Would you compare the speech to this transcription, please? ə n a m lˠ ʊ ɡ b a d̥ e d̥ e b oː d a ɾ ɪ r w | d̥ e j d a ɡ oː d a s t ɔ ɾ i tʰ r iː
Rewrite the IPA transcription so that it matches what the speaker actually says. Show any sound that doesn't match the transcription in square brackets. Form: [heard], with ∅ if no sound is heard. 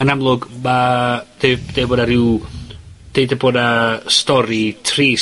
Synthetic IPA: ə n a m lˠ ʊ ɡ [m] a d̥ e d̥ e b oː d a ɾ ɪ [∅] w | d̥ e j d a [b] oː d a s t ɔ ɾ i tʰ r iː

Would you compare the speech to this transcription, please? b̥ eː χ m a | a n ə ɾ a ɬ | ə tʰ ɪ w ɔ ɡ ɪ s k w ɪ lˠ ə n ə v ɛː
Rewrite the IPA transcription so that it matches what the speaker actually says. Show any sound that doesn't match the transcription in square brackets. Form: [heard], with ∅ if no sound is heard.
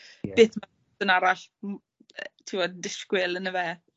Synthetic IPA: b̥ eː [θ] m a | [ə] n [a] ɾ a ɬ | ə tʰ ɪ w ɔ [d] ɪ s k w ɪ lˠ ə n ə v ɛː

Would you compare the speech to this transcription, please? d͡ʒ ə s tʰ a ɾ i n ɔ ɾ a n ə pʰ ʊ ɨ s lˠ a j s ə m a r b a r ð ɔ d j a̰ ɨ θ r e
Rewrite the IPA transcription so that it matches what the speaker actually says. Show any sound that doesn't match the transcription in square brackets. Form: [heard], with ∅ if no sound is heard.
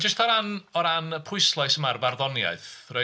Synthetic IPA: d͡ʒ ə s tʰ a ɾ [a] n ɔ ɾ a n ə pʰ ʊ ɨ s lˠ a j s ə m a r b a r ð ɔ [n] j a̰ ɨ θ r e

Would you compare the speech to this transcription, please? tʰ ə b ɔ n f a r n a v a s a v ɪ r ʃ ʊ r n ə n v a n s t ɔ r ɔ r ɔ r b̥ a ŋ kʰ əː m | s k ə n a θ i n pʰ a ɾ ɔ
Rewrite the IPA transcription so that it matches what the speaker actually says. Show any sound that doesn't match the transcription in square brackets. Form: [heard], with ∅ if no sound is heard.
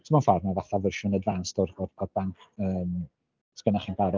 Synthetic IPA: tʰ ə [m] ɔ n f a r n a v a [θ] a v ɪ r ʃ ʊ [∅] n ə [d] v a n s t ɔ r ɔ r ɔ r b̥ a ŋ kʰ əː m | s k ə n a [χ] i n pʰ a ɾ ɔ

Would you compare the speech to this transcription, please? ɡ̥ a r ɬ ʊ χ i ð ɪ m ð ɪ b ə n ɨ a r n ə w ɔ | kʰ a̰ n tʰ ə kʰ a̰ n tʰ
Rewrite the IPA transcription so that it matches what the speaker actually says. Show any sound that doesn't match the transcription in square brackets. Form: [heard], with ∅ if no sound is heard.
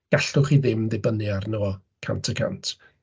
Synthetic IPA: ɡ̥ a [∅] ɬ ʊ χ i ð ɪ m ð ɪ b ə n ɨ a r n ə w ɔ | kʰ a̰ n tʰ ə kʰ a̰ n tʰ

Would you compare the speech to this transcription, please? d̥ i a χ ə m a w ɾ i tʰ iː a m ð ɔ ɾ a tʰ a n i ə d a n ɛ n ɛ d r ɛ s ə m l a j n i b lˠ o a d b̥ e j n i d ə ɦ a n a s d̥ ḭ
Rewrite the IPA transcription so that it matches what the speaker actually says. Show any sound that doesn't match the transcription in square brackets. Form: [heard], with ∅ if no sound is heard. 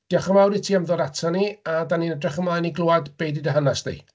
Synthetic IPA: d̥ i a χ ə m a w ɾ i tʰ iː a m ð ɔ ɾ a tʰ a n i [a] d a n [i] n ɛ d r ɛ [χ] ə m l a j n i [ɡ] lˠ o a d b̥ e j [d] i d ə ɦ a n a s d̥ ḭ

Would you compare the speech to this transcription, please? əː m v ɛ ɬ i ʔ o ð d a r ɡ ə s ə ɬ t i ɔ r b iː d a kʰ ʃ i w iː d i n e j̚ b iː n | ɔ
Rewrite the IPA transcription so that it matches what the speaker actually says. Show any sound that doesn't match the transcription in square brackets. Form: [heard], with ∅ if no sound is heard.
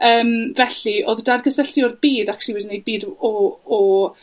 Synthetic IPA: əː m v ɛ ɬ i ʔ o ð d a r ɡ ə s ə ɬ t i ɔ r b iː d a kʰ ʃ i w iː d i n e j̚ b iː [d] | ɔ

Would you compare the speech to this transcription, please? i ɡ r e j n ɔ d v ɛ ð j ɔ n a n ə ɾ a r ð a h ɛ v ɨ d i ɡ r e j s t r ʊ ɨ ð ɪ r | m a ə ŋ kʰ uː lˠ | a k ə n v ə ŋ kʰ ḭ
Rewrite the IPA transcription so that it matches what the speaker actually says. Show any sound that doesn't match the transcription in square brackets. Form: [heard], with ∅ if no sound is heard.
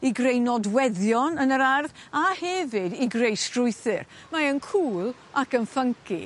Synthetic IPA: i ɡ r e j n ɔ d [w] ɛ ð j ɔ n [ə] n ə ɾ a r ð a h ɛ v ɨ d i ɡ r e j s t r ʊ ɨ [θ] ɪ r | m a ə [n] kʰ uː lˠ | a k ə n [f] ə ŋ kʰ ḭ

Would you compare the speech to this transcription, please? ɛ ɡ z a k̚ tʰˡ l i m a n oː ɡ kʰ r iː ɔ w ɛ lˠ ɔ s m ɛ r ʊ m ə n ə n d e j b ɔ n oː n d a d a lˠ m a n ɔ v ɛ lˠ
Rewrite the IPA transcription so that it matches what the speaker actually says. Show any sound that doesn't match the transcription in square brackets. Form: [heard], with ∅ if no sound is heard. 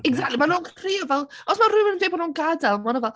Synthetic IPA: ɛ ɡ z a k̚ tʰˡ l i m a n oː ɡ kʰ r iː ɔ [v] ɛ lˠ ɔ s m [a] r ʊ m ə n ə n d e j b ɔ n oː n [ɡ] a d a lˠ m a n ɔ v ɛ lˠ

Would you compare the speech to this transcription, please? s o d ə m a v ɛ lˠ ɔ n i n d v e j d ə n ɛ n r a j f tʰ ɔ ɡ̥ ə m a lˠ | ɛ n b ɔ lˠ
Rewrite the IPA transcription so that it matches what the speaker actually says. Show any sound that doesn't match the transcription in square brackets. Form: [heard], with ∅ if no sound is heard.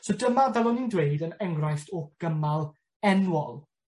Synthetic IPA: s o d ə m a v ɛ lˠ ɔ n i n d [w] e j d ə n ɛ [ŋ] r a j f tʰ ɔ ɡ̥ ə m a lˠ | ɛ n [w] ɔ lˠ

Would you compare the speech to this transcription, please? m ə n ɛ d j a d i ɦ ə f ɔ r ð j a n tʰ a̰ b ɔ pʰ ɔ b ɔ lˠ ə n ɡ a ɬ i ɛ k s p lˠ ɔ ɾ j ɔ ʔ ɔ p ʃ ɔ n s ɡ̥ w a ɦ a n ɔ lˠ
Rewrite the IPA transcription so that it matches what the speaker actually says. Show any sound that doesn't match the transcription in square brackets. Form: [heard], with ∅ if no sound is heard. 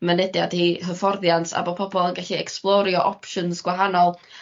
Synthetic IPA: m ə n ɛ d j a d i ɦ ə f ɔ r ð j a n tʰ a̰ b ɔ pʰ ɔ b ɔ lˠ ə n ɡ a ɬ i ɛ k s p lˠ ɔ ɾ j ɔ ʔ ɔ p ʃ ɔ n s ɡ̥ w a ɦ a n ɔ lˠ

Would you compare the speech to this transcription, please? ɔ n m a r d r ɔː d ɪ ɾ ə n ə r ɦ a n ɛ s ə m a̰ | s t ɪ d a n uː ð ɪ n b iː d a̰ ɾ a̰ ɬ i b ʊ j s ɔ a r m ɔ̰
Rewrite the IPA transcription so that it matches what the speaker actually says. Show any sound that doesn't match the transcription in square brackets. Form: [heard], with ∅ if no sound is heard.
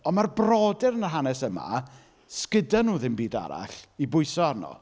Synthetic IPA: ɔ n m a r [b] r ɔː d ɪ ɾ ə n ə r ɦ a n ɛ s ə m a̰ | s [k] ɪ d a n uː ð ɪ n b iː d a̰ ɾ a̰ ɬ i b ʊ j s ɔ a r [n] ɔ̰

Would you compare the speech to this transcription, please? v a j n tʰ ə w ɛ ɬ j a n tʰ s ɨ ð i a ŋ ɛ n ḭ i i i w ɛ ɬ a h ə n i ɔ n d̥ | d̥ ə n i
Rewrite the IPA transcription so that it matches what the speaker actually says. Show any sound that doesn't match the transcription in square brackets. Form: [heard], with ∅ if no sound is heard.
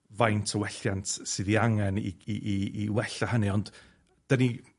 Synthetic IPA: v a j n tʰ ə w ɛ ɬ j a n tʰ s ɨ ð i a ŋ ɛ n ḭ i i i w ɛ ɬ a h ə n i ɔ n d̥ | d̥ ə n i

